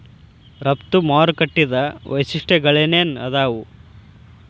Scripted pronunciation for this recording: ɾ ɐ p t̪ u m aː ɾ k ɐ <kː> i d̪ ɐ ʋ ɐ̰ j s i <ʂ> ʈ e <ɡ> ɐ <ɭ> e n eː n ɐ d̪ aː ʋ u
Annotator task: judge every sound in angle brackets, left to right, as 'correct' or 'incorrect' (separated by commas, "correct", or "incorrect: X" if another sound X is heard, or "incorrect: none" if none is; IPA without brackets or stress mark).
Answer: incorrect: ʈː, correct, correct, correct